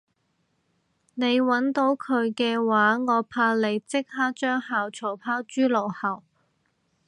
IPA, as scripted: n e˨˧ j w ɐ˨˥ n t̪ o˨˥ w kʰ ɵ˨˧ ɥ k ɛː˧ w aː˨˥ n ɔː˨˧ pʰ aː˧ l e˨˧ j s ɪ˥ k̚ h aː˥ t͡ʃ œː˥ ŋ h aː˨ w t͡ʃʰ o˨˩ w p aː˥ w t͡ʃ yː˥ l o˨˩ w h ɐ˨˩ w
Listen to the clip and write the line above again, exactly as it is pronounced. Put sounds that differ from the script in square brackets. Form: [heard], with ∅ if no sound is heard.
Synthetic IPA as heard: n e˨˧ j w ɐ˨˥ n t̪ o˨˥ w kʰ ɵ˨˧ ɥ k ɛː˧ w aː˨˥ [ŋ] ɔː˨˧ pʰ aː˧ l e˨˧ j [t͡s] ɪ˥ k̚ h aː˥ t͡ʃ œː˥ ŋ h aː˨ w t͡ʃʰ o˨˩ w [pʰ] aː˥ w t͡ʃ yː˥ l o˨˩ w h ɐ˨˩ w

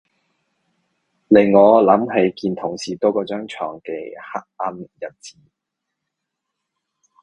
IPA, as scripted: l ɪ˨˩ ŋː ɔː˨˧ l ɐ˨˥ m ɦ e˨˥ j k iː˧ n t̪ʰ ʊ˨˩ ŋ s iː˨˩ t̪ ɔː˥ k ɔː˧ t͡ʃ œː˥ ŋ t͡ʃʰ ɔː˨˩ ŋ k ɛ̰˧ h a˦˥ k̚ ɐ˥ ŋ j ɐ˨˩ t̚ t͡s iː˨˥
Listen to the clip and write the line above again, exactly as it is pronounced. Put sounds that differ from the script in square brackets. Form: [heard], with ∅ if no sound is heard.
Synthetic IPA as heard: l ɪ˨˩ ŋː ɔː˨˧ l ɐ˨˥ m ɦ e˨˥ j k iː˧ n t̪ʰ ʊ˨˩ ŋ s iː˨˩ t̪ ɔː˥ k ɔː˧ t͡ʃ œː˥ ŋ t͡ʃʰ ɔː˨˩ ŋ k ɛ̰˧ h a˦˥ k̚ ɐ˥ [n] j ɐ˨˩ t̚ t͡s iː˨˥

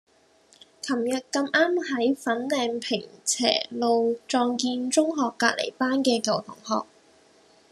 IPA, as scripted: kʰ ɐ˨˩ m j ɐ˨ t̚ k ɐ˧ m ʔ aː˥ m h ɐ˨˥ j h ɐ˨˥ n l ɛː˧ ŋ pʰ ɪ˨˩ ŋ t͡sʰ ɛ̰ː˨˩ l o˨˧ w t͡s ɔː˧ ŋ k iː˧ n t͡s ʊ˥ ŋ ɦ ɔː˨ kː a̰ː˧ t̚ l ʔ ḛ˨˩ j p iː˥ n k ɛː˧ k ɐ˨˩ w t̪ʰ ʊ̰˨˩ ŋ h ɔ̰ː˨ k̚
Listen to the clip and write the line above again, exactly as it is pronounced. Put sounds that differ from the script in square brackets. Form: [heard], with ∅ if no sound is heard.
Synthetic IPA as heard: kʰ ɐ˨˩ m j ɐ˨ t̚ k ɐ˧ m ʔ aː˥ m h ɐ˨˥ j [f] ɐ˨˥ n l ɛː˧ ŋ pʰ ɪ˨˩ ŋ t͡sʰ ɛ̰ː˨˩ l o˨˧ w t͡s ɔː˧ ŋ k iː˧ n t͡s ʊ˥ ŋ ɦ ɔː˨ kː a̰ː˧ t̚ l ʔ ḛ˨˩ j p [aː˥] n k ɛː˧ k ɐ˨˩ w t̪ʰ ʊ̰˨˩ ŋ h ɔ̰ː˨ k̚

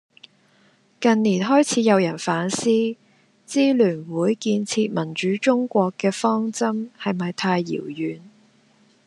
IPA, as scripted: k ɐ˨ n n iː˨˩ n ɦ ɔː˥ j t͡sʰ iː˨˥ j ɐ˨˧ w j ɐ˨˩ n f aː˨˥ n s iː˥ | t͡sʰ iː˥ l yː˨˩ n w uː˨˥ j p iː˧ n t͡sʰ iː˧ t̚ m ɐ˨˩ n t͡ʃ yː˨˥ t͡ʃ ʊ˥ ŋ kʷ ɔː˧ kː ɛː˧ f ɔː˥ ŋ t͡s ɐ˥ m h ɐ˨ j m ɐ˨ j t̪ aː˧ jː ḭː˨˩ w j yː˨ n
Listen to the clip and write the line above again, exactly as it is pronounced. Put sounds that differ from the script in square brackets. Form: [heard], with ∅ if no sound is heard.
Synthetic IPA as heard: k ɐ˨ n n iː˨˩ n ɦ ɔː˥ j t͡sʰ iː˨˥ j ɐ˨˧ w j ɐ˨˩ n f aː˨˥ n s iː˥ | [t͡s] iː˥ l yː˨˩ n w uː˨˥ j [k] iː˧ n t͡sʰ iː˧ t̚ m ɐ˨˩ n t͡ʃ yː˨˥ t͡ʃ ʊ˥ ŋ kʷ ɔː˧ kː ɛː˧ f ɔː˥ ŋ t͡s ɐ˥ m h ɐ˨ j m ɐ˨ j [t̪ʰ] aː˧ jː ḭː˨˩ w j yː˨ n

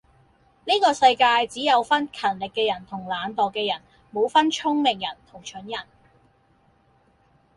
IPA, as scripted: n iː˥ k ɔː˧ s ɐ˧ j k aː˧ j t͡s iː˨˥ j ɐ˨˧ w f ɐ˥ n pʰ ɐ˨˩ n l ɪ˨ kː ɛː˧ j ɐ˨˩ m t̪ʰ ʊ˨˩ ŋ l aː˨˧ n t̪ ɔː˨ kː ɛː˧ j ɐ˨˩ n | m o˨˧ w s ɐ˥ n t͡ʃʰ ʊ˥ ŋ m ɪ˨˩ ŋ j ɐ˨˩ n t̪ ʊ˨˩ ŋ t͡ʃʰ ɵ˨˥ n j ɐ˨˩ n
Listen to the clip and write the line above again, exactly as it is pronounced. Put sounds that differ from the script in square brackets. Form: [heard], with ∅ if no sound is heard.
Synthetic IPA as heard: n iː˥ k ɔː˧ s ɐ˧ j k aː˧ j t͡s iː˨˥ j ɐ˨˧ w f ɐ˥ n [kʰ] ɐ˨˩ n l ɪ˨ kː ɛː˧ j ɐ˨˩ [n] t̪ʰ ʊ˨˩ ŋ l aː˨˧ n t̪ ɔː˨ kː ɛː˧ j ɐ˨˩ n | m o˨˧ w [f] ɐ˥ n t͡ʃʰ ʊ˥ ŋ m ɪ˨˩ ŋ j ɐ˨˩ n [t̪ʰ] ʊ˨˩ ŋ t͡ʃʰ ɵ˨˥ n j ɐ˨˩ n

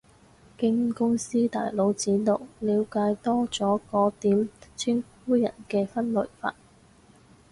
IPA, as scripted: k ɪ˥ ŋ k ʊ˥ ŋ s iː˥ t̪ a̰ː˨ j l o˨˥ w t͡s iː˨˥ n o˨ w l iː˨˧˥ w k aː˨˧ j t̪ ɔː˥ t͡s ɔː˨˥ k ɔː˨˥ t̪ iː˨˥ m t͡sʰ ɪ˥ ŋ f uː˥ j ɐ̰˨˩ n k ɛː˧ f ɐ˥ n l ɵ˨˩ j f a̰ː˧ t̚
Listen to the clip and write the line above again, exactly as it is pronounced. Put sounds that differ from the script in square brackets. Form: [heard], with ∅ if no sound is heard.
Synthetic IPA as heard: k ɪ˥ ŋ k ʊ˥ ŋ s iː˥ t̪ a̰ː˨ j l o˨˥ w t͡s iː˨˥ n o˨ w l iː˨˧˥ w k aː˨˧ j t̪ ɔː˥ t͡s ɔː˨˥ k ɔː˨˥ t̪ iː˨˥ m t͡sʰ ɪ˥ ŋ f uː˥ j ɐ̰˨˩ n k ɛː˧ f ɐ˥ n l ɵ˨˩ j f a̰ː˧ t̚

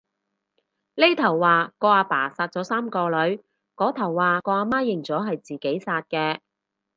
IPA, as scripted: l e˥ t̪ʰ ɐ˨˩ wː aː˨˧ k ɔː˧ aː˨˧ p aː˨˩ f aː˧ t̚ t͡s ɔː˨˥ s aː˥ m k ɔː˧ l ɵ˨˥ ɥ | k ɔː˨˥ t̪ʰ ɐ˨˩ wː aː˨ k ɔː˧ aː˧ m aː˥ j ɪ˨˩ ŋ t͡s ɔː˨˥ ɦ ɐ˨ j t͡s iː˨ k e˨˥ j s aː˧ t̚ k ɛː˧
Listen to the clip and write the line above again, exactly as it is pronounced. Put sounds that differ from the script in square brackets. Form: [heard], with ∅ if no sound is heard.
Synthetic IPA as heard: l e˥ t̪ʰ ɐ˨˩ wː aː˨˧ k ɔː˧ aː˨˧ p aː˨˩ [s] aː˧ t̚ t͡s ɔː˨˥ s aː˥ m k ɔː˧ l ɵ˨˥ ɥ | k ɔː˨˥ t̪ʰ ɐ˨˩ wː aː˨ k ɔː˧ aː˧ m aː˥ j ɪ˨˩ ŋ t͡s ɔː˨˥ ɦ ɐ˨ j t͡s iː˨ k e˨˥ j s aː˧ t̚ k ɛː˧

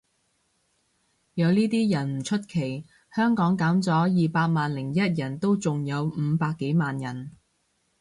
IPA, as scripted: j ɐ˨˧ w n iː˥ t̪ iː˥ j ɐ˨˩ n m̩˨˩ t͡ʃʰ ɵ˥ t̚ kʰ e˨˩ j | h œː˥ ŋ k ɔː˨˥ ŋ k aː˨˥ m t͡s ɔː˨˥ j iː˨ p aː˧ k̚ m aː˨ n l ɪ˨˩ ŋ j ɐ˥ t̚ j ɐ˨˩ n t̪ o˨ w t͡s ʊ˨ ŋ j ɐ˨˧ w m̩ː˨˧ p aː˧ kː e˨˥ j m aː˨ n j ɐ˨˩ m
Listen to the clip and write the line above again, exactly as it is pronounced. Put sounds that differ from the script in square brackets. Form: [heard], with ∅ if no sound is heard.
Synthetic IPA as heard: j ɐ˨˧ w n iː˥ t̪ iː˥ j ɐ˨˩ n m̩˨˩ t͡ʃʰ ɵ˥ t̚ kʰ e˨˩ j | h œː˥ ŋ k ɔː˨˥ ŋ k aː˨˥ m t͡s ɔː˨˥ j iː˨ p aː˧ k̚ m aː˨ n l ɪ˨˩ ŋ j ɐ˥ t̚ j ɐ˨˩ n t̪ [o˥] w t͡s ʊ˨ ŋ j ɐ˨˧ w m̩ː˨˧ p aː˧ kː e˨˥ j m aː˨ n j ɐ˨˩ [n]

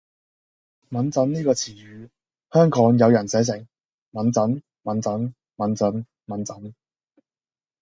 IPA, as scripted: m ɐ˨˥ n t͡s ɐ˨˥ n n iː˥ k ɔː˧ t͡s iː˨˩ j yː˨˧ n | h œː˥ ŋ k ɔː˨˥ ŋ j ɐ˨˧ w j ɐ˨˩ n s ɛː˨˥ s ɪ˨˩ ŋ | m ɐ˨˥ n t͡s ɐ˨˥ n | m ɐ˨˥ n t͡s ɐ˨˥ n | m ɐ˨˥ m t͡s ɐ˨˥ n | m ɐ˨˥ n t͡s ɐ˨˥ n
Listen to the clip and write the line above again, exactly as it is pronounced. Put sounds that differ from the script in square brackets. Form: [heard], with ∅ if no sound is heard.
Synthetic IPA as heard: m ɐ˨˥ n t͡s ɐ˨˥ n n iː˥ k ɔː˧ [t͡sʰ] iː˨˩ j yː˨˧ [∅] | h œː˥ ŋ k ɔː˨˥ ŋ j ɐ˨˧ w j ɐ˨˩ n s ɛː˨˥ s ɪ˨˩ ŋ | m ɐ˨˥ n t͡s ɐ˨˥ n | m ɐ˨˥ n t͡s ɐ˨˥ n | m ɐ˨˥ [n] t͡s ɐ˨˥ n | m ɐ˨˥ n t͡s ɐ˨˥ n

